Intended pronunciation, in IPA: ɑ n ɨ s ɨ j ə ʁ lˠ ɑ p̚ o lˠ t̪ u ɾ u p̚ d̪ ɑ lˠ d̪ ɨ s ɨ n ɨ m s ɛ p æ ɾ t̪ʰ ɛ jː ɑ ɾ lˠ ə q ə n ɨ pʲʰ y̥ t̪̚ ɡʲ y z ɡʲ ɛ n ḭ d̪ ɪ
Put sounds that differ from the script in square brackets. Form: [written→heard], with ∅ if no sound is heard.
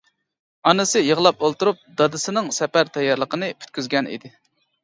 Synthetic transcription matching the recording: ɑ n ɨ s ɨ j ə ʁ lˠ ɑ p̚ o lˠ t̪ u ɾ u p̚ d̪ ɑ [lˠ→∅] d̪ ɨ s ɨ n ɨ [m→ŋ] s ɛ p æ ɾ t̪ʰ ɛ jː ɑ ɾ lˠ ə q ə n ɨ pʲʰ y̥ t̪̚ [ɡʲ→kʲ] y z ɡʲ ɛ n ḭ d̪ ɪ